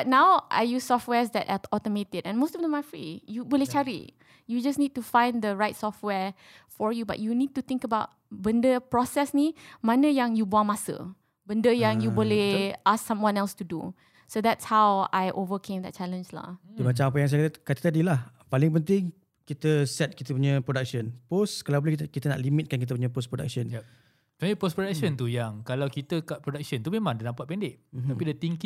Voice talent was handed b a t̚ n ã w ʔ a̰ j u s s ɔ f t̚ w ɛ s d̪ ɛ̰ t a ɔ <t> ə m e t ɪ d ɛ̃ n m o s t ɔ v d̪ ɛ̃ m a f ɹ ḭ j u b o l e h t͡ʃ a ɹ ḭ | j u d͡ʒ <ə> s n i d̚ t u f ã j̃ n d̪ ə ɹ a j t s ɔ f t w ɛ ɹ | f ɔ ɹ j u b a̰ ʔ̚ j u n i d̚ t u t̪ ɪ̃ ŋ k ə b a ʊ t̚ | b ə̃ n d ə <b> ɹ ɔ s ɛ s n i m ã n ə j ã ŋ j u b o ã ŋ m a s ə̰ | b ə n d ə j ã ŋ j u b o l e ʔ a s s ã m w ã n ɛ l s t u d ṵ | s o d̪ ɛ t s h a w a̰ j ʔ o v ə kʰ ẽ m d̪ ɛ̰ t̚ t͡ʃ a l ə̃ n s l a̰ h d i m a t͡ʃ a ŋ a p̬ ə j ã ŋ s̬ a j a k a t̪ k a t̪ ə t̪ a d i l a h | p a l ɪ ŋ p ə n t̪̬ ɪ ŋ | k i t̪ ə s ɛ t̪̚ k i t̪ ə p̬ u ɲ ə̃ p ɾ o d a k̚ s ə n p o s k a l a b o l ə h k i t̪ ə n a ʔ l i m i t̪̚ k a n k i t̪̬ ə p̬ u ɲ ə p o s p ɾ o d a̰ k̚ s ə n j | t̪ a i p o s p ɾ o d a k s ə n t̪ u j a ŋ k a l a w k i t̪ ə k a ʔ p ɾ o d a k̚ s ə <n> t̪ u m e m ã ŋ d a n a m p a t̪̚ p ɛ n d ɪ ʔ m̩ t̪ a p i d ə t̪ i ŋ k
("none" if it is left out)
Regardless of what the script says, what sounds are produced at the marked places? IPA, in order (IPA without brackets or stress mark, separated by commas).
t, a, p, n